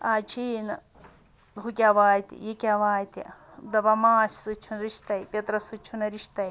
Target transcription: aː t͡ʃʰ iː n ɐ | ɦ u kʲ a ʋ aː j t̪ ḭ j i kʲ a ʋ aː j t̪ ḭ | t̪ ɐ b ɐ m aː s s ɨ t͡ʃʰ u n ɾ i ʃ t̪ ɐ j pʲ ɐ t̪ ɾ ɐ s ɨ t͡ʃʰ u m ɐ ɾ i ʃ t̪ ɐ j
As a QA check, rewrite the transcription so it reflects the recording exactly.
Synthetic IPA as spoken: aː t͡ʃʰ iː n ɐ | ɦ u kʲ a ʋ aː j t̪ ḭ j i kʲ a ʋ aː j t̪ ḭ | d̪ ɐ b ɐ m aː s s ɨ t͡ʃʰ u n ɾ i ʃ t̪ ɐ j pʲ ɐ t̪ ɾ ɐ s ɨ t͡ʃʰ u n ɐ ɾ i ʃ t̪ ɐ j